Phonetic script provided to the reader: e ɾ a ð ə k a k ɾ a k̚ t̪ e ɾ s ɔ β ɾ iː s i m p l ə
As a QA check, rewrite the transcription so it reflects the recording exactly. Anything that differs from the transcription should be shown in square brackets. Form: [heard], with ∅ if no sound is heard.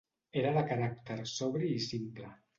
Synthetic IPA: e ɾ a ð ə k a [∅] ɾ a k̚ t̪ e ɾ s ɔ β ɾ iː s i m p l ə